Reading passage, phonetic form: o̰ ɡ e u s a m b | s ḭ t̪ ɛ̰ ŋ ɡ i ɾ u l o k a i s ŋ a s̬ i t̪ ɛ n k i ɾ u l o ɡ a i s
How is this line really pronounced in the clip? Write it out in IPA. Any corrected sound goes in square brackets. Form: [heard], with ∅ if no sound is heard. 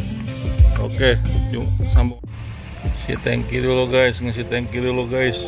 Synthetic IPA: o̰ [k] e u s a m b | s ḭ t̪ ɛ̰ ŋ [k] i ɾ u l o [ɡ] a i s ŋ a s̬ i t̪ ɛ [ŋ] k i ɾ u l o ɡ a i s

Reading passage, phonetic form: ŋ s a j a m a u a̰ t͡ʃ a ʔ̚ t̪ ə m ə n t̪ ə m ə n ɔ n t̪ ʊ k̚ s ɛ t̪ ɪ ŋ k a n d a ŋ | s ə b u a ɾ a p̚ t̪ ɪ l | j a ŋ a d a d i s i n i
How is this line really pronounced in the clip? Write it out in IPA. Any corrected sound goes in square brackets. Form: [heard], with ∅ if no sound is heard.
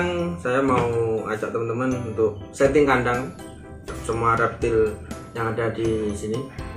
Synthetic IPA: ŋ s a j a m a u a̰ t͡ʃ a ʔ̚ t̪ ə m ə n t̪ ə m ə n [u] n t̪ ʊ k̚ s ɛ t̪ ɪ ŋ k a n d a ŋ | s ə [m] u a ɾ a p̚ t̪ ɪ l | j a ŋ a d a d i s i n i

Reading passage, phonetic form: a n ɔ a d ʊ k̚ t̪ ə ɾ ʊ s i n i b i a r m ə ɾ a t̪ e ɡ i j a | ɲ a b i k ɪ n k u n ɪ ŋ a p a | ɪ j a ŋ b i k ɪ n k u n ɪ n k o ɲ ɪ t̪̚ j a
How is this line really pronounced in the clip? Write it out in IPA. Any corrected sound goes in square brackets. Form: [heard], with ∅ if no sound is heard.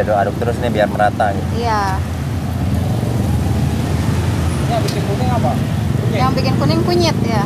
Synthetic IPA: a [d] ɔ a d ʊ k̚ t̪ ə ɾ ʊ s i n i b i a r m ə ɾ a t̪ [a] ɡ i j a | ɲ a b i k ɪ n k u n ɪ ŋ a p a | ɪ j a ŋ b i k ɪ n k u n ɪ [ŋ] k [u] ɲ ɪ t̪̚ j a

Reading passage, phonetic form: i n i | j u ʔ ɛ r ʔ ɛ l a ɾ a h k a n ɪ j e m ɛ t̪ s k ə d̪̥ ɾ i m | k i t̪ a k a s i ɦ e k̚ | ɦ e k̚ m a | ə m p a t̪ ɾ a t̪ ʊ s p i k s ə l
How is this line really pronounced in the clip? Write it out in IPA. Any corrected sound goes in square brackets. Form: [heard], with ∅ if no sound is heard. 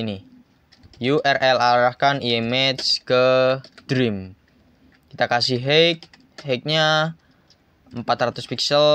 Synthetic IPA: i n i | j u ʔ ɛ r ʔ ɛ l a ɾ a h k a n [i] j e m ɛ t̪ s k ə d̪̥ ɾ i m | k i t̪ a k a s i ɦ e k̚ | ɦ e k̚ [ɲ] a | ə m p a t̪ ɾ a t̪ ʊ s p i k s ə l

